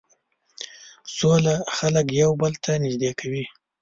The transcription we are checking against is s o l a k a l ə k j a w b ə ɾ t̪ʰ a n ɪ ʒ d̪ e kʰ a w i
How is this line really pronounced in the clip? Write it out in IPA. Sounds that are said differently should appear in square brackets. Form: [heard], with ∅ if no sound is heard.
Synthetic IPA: s o l a [x] a l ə k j a w b ə [l] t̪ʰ a n ɪ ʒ d̪ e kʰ a w i